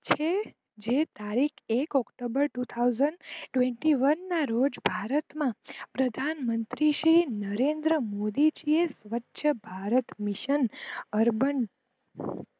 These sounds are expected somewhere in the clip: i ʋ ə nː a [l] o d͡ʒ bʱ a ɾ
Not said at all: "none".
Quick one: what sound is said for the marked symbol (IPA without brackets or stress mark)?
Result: ɾ